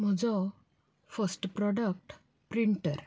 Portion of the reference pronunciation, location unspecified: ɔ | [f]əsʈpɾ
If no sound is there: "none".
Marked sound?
f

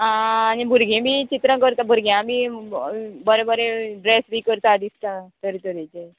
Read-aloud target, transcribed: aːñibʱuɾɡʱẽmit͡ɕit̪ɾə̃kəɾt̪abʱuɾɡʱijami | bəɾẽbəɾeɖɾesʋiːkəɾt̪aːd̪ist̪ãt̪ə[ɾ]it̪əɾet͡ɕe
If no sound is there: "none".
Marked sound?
ɾ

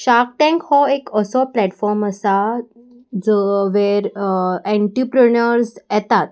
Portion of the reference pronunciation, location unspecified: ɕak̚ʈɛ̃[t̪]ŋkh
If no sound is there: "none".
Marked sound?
none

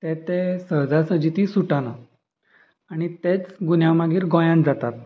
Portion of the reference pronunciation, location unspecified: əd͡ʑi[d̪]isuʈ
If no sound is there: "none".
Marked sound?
t̪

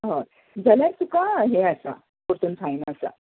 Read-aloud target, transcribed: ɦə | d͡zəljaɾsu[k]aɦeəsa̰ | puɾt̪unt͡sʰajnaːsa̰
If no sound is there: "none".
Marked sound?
k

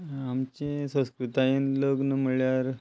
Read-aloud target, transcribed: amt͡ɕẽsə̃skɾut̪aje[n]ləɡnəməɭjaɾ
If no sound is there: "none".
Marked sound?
n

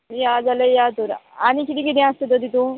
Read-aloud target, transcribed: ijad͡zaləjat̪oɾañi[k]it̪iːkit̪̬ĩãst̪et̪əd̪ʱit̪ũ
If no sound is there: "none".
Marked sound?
k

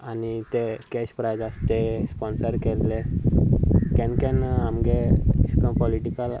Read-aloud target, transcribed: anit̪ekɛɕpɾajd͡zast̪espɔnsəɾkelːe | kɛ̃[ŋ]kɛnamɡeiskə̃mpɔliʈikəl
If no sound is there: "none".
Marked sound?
n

